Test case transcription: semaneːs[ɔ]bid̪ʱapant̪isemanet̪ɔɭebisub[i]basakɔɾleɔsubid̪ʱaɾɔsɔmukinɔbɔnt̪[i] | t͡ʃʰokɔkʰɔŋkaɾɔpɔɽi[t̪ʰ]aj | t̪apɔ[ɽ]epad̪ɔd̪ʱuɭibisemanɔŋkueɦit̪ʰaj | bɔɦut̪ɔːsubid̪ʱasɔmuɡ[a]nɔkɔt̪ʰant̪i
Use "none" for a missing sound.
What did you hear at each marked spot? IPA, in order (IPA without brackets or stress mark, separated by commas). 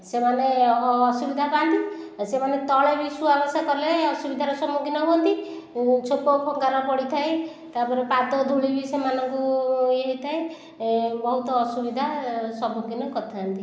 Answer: u, a, i, t̪ʰ, ɾ, i